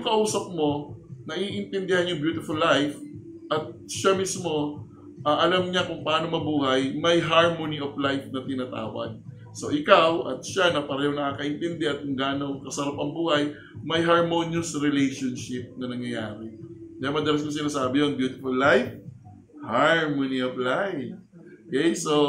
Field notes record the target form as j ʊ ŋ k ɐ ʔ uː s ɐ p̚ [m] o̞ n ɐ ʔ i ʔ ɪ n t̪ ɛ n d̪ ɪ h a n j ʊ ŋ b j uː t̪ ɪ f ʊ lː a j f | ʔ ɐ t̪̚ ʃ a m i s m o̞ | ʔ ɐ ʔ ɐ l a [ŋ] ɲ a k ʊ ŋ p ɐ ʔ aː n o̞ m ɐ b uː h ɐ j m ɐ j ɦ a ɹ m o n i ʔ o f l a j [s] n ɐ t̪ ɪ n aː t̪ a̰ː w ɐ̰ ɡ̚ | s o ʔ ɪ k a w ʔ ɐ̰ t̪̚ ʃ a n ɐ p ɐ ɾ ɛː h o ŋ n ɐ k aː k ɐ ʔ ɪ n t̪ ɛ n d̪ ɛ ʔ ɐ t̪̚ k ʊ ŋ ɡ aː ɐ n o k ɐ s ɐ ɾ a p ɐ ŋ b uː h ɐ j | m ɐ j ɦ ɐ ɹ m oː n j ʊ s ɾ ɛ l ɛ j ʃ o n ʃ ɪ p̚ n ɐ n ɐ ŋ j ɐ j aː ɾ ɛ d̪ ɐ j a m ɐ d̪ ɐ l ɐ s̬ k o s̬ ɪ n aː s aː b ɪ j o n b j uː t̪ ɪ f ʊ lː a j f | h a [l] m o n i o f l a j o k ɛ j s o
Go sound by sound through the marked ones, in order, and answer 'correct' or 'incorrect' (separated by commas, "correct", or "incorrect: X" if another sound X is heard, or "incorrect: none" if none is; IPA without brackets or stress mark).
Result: correct, incorrect: m, incorrect: f, incorrect: ɹ